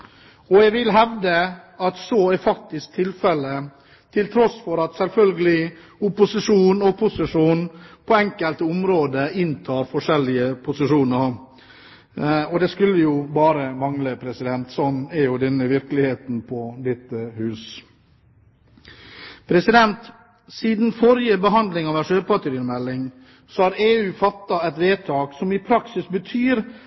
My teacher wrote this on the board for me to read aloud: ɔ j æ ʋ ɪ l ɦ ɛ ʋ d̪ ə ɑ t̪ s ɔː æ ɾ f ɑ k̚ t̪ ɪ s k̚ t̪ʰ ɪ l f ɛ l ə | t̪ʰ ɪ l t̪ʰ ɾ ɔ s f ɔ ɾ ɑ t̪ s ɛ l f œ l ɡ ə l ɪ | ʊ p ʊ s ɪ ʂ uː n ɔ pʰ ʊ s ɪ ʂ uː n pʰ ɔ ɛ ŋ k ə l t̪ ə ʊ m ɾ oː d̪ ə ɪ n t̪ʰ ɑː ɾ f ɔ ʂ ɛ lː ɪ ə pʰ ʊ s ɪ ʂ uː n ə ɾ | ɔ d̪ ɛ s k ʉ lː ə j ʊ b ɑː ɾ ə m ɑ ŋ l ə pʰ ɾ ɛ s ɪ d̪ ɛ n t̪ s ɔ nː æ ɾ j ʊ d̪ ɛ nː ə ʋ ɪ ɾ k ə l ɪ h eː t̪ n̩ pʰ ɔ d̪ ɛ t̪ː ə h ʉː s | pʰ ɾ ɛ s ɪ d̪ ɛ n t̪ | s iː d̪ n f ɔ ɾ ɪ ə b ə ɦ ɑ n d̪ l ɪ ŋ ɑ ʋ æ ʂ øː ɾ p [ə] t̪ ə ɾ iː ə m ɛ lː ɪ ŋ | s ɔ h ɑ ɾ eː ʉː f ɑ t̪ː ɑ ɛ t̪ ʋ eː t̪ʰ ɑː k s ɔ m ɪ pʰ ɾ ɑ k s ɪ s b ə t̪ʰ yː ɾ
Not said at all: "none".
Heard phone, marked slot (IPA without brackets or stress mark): ɑ